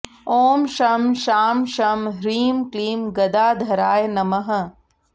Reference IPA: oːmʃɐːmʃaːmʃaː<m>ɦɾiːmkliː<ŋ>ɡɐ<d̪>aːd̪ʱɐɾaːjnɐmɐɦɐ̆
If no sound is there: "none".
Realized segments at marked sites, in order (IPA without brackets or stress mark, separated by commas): m, m, d̪